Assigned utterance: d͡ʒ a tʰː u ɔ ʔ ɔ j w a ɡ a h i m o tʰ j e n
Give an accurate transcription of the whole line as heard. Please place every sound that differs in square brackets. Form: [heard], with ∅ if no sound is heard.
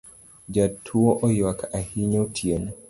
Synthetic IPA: d͡ʒ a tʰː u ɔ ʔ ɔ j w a [k] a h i [ɲ] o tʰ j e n